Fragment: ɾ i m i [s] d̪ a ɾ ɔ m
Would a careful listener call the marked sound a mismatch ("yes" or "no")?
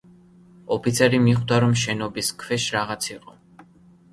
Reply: yes